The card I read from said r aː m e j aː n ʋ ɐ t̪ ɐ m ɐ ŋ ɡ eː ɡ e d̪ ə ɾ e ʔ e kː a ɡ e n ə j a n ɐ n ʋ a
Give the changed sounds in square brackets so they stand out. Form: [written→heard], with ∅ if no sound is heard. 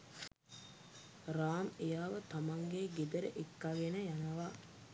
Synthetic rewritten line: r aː m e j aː [n→∅] ʋ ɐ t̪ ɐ m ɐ ŋ ɡ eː ɡ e d̪ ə ɾ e ʔ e kː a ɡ e n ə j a n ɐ [n→∅] ʋ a